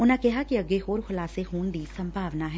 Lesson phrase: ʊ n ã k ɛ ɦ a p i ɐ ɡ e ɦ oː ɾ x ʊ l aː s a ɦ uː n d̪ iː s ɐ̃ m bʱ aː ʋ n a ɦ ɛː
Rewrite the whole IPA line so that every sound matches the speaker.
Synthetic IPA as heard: ʊ n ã k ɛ ɦ a k i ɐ ɡ e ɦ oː ɾ x ʊ l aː s e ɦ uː n d̪ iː s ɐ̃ m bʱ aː ʋ n a ɦ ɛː

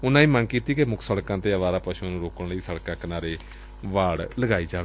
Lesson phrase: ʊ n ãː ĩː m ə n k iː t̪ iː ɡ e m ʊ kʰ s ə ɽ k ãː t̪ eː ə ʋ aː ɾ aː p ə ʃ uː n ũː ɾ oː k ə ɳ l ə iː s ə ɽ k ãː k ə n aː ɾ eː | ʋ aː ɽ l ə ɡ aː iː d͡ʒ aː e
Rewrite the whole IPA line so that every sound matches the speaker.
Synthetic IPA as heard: ʊ n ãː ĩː m ə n k iː t̪ iː k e m ʊ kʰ s ə ɽ k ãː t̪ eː ə ʋ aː ɾ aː p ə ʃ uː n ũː ɾ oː k ə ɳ l ə iː s ə ɽ k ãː k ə n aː ɾ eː | ʋ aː ɽ l ə ɡ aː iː d͡ʒ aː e

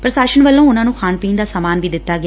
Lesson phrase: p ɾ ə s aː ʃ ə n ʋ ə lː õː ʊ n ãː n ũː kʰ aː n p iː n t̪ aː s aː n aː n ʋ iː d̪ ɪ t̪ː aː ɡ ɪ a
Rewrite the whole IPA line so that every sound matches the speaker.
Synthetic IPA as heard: p ɾ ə s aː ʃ ə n ʋ ə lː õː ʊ n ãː n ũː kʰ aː n p iː n d̪ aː s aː m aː n ʋ iː d̪ ɪ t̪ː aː ɡ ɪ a

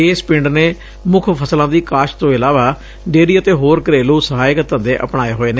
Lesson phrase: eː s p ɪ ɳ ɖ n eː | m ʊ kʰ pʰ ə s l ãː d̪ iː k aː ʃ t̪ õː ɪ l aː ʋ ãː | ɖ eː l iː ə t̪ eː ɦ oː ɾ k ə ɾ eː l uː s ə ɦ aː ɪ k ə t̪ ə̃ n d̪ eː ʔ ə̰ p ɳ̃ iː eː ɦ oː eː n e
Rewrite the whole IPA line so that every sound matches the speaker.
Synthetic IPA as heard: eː s p ɪ ɳ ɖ n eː | m ʊ kʰ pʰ ə s l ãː d̪ iː k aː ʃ t̪ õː ɪ l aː ʋ aː | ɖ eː ɾ iː ə t̪ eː ɦ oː ɾ k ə ɾ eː l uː s ə ɦ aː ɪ k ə t̪ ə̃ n d̪ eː ʔ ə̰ p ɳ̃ aː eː ɦ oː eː n e

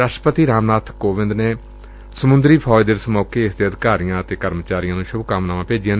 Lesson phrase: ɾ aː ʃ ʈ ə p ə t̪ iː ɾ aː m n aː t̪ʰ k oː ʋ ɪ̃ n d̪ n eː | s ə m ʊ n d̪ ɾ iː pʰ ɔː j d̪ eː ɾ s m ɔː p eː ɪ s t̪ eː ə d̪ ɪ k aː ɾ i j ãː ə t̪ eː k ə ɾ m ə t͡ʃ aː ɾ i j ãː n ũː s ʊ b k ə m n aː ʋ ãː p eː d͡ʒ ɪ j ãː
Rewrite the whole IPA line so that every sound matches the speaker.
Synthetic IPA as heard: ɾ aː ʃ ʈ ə p ə t̪ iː ɾ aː m n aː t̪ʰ k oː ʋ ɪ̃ n d̪ n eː | s ə m ʊ n d̪ ɾ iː pʰ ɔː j d̪ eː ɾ s m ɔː k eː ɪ s d̪ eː ə d̪ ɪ k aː ɾ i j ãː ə t̪ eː k ə ɾ m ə t͡ʃ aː ɾ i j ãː n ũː ʃ ʊ b k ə m n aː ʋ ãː p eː d͡ʒ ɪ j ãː

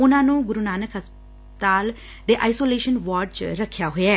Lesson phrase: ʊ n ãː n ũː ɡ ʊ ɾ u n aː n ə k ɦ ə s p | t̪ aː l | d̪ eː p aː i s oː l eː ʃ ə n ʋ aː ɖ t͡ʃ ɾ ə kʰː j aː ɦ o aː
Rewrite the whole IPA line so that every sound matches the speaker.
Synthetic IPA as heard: ʊ n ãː n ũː ɡ ʊ ɾ u n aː n ə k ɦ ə s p | t̪ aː l | d̪ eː ʔ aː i s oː l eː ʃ ə n ʋ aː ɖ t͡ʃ ɾ ə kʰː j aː ɦ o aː

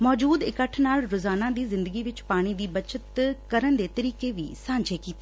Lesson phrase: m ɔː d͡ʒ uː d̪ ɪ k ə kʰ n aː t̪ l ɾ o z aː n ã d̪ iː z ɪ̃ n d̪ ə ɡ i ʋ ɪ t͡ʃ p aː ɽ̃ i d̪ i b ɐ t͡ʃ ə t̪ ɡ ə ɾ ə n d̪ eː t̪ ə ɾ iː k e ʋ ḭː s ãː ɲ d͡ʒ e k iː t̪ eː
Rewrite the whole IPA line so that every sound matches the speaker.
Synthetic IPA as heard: m ɔː d͡ʒ uː d̪ ɪ k ə ʈʰ n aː l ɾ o z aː n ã d̪ iː z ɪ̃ n d̪ ə ɡ i ʋ ɪ t͡ʃ p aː ɽ̃ i d̪ iː b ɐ t͡ʃ ə t̪ k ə ɾ ə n d̪ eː t̪ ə ɾ iː k e ʋ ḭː s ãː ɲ d͡ʒ e k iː t̪ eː

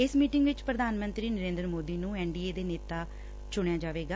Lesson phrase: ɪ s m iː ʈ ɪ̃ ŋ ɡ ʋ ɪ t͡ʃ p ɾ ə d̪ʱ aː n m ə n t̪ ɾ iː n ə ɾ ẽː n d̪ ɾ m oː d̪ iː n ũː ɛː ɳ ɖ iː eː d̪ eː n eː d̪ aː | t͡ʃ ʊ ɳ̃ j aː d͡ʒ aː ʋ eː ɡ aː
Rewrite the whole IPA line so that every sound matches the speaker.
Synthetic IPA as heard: ɪ s m iː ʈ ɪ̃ ŋ ɡ ʋ ɪ t͡ʃ p ɾ ə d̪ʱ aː n m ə n t̪ ɾ iː n ə ɾ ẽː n d̪ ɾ m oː d̪ iː n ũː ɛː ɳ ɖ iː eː d̪ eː n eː t̪ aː | t͡ʃ ʊ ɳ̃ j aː d͡ʒ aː ʋ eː ɡ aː

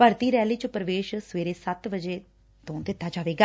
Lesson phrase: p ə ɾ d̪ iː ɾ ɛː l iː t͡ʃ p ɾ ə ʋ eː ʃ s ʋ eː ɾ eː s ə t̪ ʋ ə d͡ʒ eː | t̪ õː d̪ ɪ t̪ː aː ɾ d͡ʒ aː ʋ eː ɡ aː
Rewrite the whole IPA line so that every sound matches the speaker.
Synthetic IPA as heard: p ə ɾ t̪ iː ɾ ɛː l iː t͡ʃ p ɾ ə ʋ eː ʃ s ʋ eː ɾ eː s ə t̪ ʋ ə d͡ʒ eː | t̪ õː d̪ ɪ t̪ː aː d͡ʒ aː ʋ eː ɡ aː

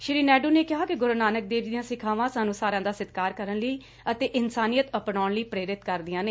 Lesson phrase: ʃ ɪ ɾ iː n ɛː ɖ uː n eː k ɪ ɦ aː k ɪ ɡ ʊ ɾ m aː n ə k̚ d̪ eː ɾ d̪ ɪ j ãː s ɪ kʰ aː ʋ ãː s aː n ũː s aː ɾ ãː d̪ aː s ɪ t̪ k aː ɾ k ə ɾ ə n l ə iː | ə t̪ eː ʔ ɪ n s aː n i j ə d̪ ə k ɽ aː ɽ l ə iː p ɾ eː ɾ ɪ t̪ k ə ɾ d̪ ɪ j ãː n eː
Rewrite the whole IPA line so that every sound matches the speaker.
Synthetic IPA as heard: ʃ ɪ ɾ iː n ɛː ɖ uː n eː k ɪ ɦ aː k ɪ ɡ ʊ ɾ n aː n ə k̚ d̪ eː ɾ d̪ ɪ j ãː s ɪ kʰ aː ʋ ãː s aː n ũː s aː ɾ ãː d̪ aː s ɪ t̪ k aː ɾ k ə ɾ ə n l ə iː | ə t̪ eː ʔ ɪ n s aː n i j ə t̪ ə p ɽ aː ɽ l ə iː p ɾ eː ɾ ɪ t̪ k ə ɾ d̪ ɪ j ãː n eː

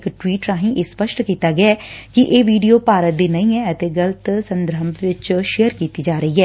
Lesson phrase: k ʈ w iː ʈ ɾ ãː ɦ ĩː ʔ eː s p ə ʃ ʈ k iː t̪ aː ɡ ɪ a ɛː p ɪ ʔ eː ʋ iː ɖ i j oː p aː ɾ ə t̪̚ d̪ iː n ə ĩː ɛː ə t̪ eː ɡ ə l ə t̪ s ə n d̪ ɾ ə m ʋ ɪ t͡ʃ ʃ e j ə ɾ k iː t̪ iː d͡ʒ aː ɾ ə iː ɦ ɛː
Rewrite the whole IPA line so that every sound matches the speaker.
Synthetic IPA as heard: k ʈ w iː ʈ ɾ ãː ɦ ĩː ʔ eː s p ə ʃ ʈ k iː t̪ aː ɡ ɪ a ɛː k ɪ ʔ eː ʋ iː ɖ i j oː p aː ɾ ə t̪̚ d̪ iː n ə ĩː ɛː ə t̪ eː ɡ ə l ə t̪ s ə n d̪ ɾ ə m ʋ ɪ t͡ʃ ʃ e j ə ɾ k iː t̪ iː d͡ʒ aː ɾ ə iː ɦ ɛː

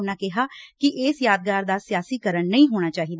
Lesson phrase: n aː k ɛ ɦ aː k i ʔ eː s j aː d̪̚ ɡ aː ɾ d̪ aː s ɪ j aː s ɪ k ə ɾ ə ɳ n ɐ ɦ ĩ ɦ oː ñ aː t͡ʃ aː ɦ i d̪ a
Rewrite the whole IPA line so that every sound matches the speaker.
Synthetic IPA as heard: n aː k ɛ ɦ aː k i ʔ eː s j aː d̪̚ ɡ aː ɾ d̪ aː s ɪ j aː s i k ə ɾ ə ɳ n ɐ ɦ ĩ ɦ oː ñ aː t͡ʃ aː ɦ i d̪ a

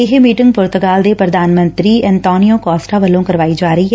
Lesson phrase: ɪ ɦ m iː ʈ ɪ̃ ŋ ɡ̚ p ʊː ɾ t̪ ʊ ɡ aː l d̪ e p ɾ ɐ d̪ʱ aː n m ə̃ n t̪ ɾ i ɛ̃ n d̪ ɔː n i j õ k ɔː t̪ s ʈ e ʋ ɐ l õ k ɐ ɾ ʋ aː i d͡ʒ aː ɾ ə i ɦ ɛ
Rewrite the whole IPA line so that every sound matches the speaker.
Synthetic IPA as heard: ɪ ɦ m iː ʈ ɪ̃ ŋ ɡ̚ p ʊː ɾ t̪ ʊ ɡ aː l d̪ e p ɾ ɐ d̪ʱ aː n m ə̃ n t̪ ɾ i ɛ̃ n t̪ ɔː n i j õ k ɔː s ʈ a ʋ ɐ l õ k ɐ ɾ ʋ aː i d͡ʒ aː ɾ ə i ɦ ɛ

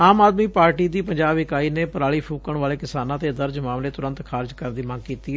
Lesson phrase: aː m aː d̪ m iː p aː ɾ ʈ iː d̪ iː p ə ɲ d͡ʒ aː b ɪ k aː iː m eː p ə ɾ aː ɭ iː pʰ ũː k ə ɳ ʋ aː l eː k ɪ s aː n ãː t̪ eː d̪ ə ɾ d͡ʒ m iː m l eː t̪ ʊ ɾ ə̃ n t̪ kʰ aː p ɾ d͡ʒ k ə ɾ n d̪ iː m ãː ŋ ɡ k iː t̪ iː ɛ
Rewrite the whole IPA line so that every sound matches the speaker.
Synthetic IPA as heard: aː m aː d̪ m iː p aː ɾ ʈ iː d̪ iː p ə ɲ d͡ʒ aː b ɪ k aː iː n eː p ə ɾ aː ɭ iː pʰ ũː k ə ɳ ʋ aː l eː k ɪ s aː n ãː t̪ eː d̪ ə ɾ d͡ʒ m aː m l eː t̪ ʊ ɾ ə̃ n t̪ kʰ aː ɾ d͡ʒ k ə ɾ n d̪ iː m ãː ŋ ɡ k iː t̪ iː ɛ

